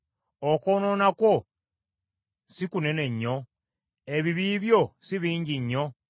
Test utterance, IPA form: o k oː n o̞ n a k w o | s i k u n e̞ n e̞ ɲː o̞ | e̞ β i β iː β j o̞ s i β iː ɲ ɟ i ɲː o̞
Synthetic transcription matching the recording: o k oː n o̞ n a k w o | s i k u n e̞ n e̞ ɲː o̞ | e̞ β i β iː β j o̞ s i β iː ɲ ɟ i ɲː o̞